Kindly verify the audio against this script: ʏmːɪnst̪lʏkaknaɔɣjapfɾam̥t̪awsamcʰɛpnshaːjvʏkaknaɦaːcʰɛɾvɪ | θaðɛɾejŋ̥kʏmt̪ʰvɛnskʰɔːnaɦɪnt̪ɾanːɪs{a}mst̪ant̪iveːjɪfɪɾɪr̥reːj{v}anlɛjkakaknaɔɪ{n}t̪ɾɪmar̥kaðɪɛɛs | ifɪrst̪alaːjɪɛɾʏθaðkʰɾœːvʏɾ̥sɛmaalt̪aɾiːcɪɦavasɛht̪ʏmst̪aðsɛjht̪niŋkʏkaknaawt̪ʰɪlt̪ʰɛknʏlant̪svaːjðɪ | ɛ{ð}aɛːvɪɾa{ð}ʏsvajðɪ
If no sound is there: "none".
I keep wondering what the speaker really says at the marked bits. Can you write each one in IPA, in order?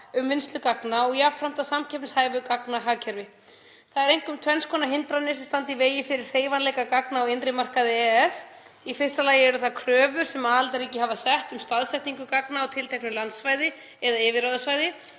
ɛ, v, n, ð, ð

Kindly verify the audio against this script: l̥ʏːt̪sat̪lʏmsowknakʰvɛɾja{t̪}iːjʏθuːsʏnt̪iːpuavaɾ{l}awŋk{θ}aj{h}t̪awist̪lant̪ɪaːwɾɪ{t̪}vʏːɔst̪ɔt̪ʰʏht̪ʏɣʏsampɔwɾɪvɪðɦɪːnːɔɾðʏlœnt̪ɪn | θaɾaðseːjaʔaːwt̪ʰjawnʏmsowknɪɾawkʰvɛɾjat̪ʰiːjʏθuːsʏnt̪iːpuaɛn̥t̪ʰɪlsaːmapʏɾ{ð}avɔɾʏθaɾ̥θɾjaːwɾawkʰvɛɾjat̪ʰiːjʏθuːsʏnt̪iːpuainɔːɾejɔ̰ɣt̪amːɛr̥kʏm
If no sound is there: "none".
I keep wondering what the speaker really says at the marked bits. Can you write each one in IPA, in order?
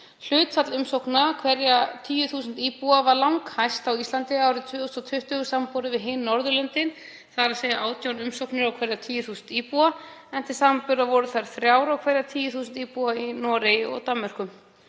t̪ʰ, l, h, s, t̪ʰ, ð

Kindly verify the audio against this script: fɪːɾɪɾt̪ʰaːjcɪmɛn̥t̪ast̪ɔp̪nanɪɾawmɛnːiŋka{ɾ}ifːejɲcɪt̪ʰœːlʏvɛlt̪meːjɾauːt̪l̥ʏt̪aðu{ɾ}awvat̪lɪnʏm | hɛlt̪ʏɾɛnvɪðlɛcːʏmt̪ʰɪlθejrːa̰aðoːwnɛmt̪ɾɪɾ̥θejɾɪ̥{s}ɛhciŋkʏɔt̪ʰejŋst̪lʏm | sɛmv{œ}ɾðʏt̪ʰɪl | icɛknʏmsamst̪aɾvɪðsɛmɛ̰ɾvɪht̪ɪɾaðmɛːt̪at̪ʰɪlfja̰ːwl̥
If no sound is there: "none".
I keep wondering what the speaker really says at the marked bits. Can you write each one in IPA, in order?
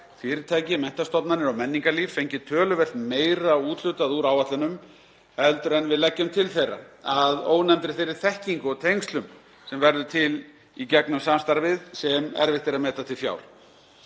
l, ɾ, θ, ɛ

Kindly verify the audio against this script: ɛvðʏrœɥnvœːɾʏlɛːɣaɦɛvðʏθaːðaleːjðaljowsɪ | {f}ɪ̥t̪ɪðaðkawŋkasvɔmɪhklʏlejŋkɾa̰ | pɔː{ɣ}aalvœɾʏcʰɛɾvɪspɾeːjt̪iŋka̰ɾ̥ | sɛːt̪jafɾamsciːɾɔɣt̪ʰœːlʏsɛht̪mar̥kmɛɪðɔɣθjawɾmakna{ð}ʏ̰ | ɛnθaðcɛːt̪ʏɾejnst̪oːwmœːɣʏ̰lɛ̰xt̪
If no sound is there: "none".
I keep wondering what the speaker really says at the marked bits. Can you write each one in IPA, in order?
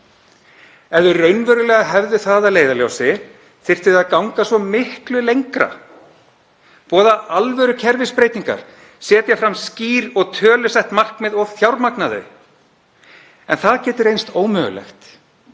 θ, ð, ð

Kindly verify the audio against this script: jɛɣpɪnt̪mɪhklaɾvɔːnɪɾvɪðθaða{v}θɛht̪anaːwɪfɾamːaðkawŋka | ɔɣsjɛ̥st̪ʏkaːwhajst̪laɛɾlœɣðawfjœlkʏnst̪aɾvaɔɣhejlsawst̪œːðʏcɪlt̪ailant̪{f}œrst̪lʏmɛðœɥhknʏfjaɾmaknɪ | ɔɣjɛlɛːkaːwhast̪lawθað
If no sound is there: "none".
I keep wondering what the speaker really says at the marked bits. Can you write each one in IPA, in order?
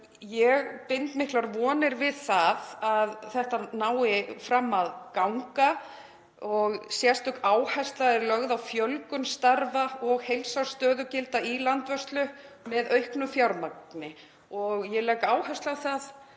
ð, v

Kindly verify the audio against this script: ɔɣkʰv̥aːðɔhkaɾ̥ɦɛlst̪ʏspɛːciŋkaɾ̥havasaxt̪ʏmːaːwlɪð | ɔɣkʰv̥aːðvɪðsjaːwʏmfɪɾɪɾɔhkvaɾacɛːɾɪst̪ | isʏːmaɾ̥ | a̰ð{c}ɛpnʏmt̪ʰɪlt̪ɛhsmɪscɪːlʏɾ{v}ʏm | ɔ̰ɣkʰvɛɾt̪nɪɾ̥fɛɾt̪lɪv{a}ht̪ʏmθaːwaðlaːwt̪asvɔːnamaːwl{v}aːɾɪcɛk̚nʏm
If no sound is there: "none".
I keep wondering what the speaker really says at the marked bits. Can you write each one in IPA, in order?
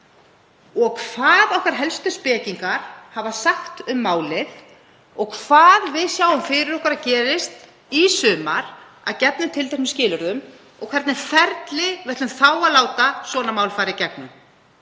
c, ð, ɛ, f

